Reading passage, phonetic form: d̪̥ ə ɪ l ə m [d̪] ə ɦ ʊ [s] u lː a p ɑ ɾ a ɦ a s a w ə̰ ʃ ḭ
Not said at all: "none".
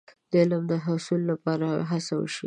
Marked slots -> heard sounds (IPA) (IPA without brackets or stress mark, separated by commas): d̪, s